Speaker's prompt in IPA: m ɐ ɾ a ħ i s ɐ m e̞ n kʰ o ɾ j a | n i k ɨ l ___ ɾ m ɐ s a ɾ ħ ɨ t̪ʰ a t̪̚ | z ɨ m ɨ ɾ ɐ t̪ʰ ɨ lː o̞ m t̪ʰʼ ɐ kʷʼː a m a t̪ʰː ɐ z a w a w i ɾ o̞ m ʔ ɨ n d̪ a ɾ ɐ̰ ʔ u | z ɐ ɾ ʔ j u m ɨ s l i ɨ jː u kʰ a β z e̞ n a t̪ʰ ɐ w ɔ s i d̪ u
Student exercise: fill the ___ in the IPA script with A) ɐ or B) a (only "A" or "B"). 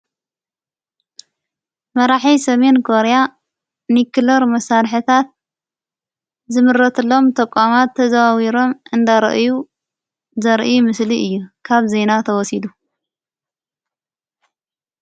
A